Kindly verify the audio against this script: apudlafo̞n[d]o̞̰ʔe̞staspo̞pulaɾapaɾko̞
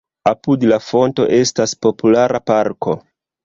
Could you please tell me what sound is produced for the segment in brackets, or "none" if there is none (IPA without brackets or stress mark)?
t